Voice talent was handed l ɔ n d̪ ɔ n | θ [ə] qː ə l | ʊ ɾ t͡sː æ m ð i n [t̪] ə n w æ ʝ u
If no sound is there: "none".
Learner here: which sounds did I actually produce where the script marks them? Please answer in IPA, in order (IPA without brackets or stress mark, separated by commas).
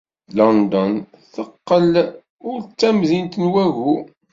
ə, t̪